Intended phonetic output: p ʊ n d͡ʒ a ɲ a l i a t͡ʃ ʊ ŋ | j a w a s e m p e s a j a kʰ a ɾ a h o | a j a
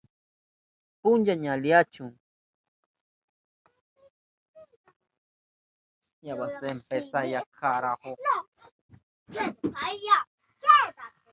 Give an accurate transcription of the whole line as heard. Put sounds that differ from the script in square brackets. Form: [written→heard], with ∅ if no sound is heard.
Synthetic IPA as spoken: p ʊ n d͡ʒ a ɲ a l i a t͡ʃ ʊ ŋ | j a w a s e m p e s a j a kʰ a ɾ a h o | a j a

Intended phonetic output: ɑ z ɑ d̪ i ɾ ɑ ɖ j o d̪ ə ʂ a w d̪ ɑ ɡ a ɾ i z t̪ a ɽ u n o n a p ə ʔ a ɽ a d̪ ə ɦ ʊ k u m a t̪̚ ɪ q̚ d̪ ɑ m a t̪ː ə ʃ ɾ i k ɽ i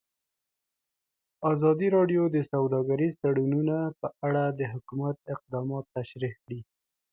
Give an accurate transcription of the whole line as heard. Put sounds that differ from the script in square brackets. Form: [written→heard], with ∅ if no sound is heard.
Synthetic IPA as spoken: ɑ z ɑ d̪ i ɾ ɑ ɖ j o d̪ ə [ʂ→s] a w d̪ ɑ ɡ a ɾ i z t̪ a ɽ u n [o→u] n a p ə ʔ a ɽ a d̪ ə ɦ ʊ k u m a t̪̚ ɪ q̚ d̪ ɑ m [a→ɑ] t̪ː [ə→a] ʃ ɾ i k ɽ i

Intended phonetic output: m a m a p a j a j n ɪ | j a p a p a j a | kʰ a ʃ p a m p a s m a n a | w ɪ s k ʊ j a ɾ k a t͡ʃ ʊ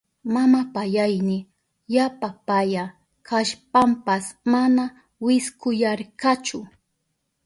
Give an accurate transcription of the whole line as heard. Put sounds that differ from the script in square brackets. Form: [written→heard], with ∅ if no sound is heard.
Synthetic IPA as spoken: m a m a p a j a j n ɪ | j a p a p a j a | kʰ a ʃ p a m p a s m a n a | w ɪ s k ʊ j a ɾ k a t͡ʃ ʊ

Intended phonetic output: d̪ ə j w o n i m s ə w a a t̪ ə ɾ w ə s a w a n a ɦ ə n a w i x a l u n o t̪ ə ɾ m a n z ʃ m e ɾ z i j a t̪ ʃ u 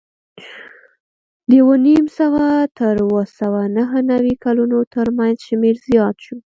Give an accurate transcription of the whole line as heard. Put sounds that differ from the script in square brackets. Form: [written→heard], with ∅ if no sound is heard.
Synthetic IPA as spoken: d̪ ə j w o n i m s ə w a a t̪ ə ɾ w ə s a w a n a ɦ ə n a w i [x→k] a l u n o t̪ ə ɾ m a n z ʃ m e ɾ z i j [a→ɑ] t̪ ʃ u

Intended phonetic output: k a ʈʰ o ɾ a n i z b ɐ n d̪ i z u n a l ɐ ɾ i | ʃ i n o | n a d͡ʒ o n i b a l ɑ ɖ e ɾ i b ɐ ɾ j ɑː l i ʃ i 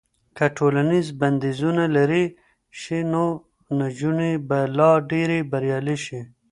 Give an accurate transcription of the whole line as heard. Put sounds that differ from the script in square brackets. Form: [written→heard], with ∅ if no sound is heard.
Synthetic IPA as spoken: k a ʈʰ o [ɾ→l] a n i z b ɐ n d̪ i z u n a l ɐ ɾ i | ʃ i n o | n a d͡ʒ [o→u] n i b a l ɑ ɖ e ɾ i b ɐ ɾ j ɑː l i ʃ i

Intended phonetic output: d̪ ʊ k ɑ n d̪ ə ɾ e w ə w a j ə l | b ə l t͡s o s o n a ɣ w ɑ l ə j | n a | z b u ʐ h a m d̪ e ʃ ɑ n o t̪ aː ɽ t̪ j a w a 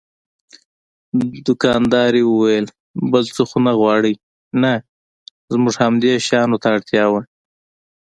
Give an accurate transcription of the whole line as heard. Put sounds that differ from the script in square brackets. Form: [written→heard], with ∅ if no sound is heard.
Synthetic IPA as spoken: d̪ ʊ k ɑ n d̪ [ə→ɑ] ɾ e w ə w a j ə l | b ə l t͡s o [s→x] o n a ɣ w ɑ [l→ɽ] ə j | n a | z [b→m] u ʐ h a m d̪ e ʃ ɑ n o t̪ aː ɽ t̪ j [a→ɑ] w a

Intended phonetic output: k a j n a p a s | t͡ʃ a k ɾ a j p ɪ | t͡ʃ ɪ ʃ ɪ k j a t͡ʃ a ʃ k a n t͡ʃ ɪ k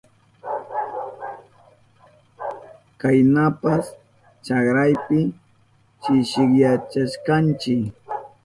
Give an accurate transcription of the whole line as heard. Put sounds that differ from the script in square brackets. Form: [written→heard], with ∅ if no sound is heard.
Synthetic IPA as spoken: k a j n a p a s | t͡ʃ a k ɾ a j p ɪ | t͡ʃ ɪ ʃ ɪ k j a t͡ʃ a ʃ k a n t͡ʃ ɪ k

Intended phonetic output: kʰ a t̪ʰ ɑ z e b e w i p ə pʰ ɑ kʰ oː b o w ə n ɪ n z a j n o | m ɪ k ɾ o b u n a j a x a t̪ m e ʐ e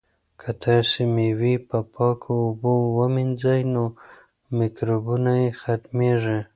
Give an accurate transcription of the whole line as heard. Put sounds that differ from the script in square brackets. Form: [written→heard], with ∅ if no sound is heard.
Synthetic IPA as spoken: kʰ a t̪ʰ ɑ [z→s] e [b→m] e w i p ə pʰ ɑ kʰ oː b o w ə [n→m] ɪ n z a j n o | m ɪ k ɾ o b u n a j [a→e] x a t̪ m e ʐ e

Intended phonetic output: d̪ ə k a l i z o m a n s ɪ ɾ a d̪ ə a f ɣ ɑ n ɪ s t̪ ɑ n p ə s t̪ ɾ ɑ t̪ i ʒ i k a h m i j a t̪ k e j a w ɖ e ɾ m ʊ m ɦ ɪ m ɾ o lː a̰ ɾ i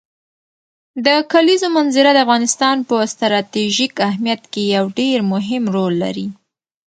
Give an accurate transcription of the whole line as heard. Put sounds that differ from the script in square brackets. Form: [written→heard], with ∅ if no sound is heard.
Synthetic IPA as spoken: d̪ ə k a l i z o m a n [s→z] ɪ ɾ a d̪ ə a f ɣ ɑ n ɪ s t̪ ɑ n p ə s t̪ ɾ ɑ t̪ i ʒ i k a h m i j a t̪ k e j a w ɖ e ɾ m ʊ [m→∅] ɦ ɪ m ɾ o lː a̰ ɾ i

